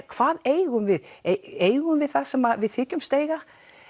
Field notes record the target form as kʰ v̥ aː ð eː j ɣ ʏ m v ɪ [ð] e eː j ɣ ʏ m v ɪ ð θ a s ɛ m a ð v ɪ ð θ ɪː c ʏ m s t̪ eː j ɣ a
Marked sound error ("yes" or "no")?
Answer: no